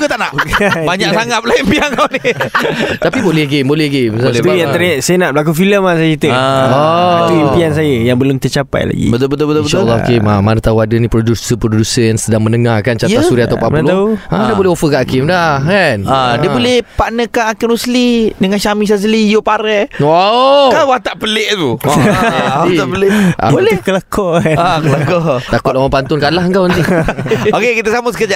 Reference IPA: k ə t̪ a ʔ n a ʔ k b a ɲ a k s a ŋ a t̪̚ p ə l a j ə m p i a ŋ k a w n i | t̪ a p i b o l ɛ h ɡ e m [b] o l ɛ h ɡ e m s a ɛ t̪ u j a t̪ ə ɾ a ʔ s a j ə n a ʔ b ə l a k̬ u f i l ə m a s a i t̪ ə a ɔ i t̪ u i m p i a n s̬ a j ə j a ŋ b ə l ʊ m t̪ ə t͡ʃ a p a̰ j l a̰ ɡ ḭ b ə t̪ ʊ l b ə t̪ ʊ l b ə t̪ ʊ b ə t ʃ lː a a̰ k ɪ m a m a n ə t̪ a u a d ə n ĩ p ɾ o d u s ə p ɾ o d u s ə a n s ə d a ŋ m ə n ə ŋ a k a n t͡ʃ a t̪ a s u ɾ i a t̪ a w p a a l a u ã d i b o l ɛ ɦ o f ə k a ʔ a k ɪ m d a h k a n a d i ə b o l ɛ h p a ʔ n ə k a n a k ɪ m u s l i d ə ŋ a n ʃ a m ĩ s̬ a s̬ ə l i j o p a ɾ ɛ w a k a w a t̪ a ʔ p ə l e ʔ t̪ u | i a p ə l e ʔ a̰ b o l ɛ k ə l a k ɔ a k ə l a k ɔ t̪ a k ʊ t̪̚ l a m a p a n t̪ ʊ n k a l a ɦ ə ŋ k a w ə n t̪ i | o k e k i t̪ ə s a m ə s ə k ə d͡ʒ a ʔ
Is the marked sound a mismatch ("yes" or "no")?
no